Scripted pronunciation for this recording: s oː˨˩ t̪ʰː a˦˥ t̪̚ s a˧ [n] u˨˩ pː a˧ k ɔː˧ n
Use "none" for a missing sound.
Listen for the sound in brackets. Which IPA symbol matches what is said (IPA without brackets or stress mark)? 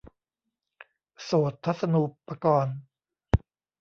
n